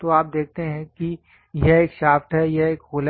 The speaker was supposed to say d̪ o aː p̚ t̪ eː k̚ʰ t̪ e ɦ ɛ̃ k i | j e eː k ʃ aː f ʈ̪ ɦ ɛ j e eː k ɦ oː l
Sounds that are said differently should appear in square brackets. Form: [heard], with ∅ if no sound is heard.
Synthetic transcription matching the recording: [t̪] o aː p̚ [d̪] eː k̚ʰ t̪ e ɦ ɛ̃ k i | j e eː k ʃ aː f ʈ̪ ɦ ɛ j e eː k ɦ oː l